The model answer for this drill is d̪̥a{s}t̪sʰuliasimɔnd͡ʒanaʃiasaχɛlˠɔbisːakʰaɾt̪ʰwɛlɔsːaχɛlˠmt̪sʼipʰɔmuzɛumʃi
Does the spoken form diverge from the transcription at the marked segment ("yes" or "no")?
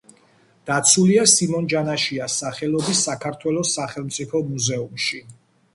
yes